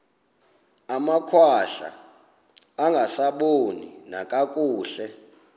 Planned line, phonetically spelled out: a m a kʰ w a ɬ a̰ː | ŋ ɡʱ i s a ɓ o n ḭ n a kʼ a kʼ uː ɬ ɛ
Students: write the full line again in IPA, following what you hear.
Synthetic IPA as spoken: a m a kʰ w a ɬ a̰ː | ŋ ɡʱ a s a ɓ o n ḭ n a kʼ a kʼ uː ɬ ɛ

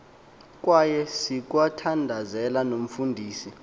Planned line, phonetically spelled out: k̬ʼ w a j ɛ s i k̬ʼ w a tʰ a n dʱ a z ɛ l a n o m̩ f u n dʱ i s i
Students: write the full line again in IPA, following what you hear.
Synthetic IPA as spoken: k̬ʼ w a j ɛ s i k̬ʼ w a tʰ a n dʱ a z ɛ l a n o m̩ f u n dʱ iː s i

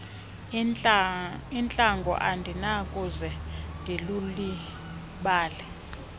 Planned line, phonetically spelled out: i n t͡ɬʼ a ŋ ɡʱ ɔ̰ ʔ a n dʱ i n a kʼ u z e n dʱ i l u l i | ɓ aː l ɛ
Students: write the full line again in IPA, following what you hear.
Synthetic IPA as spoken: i n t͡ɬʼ a ŋ ɡʱ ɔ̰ ʔ a n dʱ i n a kʼ u z ɛ n dʱ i l u l i | ɓ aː l ɛ

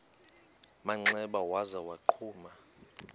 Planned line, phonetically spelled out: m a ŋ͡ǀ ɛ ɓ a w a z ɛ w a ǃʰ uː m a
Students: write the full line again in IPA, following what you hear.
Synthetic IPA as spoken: m a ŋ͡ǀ ɛ ɓ a w a z a w a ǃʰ uː m a

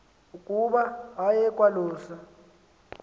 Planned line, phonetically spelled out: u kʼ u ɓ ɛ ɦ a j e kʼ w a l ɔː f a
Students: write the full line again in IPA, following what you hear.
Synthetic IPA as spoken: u kʼ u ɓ a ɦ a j ɛ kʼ w a l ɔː s a

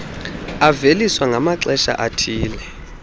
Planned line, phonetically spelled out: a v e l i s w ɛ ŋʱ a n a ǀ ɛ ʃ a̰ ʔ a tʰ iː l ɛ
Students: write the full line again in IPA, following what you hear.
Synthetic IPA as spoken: a v e l i s w a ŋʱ a m a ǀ ɛ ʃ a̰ ʔ a tʰ iː l ɛ

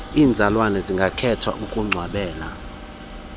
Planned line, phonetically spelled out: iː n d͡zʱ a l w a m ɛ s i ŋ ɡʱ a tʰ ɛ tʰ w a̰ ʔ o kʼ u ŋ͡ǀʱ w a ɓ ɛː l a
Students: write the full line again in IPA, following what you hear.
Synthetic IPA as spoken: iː n d͡zʱ a l w a n ɛ z i ŋ ɡʱ a kʰ ɛ tʰ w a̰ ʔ u kʼ u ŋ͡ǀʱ w a ɓ ɛː l a

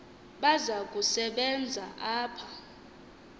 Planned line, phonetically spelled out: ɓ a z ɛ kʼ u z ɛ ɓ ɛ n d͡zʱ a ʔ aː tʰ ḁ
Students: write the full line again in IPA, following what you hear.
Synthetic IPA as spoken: ɓ a z a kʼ u s ɛ ɓ ɛ n d͡zʱ a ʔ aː pʰ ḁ

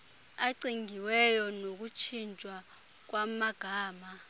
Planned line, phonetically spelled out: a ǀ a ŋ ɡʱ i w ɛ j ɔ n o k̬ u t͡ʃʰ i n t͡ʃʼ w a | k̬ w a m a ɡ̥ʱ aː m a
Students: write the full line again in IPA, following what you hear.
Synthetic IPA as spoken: a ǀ i ŋ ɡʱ i w ɛ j ɔ n o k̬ u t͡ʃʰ i n t͡ʃʼ w a | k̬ w a m a ɡ̥ʱ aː m a

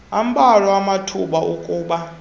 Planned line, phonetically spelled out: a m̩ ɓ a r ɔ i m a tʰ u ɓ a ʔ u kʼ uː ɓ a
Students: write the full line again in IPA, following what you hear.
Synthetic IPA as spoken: a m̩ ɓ a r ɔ a m a tʰ u ɓ a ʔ u kʼ uː ɓ a

